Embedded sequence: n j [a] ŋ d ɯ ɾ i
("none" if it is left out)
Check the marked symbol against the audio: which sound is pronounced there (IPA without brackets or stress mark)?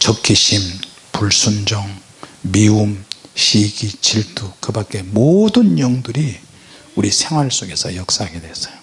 ʌ